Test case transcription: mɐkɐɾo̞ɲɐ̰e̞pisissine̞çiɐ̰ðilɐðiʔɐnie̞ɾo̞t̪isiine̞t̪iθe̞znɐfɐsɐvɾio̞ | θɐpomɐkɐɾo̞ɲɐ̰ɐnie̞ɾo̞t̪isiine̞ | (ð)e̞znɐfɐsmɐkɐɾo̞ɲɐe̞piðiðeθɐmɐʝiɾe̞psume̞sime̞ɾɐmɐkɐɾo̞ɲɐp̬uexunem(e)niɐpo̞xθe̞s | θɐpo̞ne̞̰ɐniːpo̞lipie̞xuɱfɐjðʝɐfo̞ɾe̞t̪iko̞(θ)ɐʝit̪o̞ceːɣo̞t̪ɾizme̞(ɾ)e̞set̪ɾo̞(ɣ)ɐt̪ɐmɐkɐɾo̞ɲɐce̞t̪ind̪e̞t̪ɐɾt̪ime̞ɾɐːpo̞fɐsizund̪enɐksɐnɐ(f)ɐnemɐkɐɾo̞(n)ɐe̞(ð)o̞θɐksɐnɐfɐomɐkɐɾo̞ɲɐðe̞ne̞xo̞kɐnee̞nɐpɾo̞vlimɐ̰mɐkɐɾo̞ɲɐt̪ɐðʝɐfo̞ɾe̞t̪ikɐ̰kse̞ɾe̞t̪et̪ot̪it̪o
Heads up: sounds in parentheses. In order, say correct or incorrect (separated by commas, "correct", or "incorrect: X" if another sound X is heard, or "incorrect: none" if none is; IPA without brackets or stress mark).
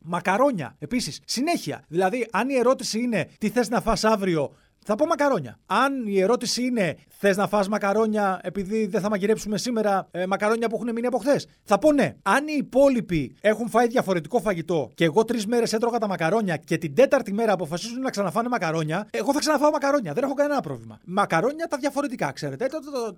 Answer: incorrect: θ, incorrect: i, incorrect: f, correct, correct, correct, incorrect: ɲ, incorrect: ɣ